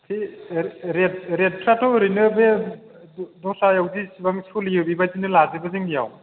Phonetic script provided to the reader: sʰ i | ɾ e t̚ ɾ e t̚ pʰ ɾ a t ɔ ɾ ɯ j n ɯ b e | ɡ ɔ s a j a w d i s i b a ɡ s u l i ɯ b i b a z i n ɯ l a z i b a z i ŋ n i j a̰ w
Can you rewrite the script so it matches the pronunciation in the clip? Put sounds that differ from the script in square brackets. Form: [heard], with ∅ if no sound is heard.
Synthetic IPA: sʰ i | ɾ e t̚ ɾ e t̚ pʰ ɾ a t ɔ ɾ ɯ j n ɯ b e | [d] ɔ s a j a w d i s i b a [ŋ] s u l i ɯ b i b a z i n ɯ l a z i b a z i ŋ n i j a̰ w